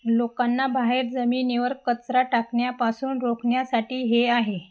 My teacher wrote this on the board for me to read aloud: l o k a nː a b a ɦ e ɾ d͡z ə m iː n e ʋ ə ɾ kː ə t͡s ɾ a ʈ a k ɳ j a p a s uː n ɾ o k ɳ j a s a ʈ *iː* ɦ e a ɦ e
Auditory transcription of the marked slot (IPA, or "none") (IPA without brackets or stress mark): iː